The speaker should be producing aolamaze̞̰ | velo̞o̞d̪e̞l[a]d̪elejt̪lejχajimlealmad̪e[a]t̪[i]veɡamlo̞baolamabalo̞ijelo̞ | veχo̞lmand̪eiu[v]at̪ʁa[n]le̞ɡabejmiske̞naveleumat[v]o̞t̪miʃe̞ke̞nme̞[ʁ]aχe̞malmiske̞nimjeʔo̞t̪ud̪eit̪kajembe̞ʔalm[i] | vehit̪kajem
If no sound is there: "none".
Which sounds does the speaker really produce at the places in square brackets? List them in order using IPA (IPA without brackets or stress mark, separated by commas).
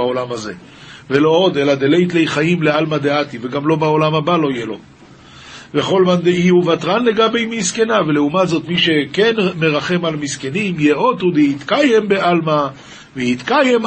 a, a, i, v, n, z, ʁ, a